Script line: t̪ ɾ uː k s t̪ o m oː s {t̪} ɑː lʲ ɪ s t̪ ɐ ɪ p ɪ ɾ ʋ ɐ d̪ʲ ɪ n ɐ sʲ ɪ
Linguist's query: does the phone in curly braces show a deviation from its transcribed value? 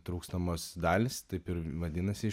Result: yes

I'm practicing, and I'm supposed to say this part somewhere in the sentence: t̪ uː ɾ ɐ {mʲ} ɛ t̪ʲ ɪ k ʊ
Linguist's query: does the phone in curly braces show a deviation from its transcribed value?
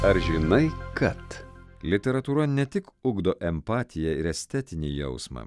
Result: yes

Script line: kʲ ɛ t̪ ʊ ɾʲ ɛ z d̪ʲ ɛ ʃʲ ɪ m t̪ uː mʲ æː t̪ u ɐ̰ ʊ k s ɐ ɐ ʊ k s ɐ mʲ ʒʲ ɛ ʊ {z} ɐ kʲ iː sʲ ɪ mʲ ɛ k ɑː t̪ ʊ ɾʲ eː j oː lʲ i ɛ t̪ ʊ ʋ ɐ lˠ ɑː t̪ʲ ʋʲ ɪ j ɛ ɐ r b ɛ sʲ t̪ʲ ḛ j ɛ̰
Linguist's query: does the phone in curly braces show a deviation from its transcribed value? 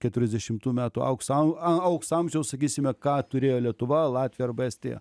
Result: yes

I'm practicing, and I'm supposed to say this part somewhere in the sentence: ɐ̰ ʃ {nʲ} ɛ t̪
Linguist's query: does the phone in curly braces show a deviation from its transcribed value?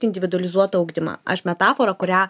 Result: yes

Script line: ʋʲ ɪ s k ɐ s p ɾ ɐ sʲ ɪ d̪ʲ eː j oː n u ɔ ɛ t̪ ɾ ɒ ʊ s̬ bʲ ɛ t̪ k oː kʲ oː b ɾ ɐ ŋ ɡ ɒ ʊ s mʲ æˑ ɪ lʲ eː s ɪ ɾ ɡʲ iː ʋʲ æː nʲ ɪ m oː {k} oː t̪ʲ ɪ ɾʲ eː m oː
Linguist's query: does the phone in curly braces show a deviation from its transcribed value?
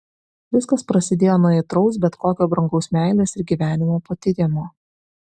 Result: yes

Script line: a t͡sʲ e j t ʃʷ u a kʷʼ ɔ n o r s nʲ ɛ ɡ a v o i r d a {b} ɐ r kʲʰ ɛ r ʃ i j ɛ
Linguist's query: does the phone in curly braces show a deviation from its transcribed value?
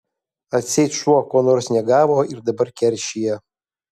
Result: no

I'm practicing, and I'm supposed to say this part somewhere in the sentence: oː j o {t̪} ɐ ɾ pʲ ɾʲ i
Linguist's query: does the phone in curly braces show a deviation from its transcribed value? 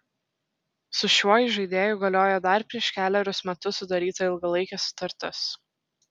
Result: yes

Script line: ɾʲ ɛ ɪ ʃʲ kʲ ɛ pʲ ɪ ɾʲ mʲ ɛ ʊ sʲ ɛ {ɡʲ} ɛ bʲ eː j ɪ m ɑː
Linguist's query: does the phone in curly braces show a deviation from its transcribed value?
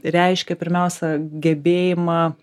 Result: no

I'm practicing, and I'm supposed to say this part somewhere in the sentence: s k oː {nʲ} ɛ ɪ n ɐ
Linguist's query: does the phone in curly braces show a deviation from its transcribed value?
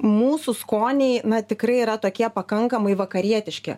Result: no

